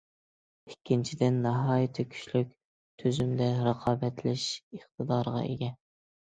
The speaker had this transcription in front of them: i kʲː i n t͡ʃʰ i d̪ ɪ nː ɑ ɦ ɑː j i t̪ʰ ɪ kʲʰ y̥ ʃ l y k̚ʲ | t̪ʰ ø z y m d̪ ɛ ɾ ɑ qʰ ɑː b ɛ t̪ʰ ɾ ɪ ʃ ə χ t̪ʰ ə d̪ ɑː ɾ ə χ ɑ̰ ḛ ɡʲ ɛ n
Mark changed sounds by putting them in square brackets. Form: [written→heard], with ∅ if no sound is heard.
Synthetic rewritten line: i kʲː i n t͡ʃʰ i d̪ ɪ nː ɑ ɦ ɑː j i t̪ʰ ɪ kʲʰ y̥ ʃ l y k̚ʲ | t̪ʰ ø z y m d̪ ɛ ɾ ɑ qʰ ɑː b ɛ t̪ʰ [ɾ→l] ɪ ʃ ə χ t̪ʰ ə d̪ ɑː ɾ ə [χ→ʁ] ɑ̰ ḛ ɡʲ ɛ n